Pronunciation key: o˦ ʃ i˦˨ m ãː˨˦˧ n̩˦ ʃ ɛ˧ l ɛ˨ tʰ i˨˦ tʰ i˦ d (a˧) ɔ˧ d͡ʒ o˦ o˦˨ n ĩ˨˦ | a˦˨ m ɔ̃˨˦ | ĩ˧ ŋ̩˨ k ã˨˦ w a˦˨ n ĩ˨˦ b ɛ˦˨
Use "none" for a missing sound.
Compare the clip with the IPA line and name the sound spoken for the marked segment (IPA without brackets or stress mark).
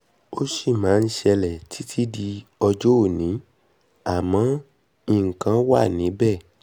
i˧